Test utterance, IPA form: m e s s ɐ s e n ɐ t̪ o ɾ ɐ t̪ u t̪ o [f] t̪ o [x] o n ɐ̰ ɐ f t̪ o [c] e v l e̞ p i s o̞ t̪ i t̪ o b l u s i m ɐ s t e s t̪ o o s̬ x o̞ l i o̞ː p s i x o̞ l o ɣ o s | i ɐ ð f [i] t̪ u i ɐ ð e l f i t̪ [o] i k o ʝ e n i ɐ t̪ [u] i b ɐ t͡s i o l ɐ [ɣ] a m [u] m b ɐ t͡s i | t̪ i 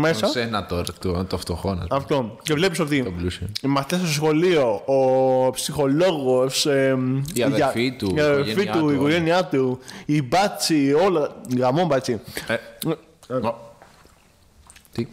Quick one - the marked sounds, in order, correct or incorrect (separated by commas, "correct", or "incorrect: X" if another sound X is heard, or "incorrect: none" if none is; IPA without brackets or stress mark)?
correct, correct, correct, correct, incorrect: u, correct, correct, incorrect: o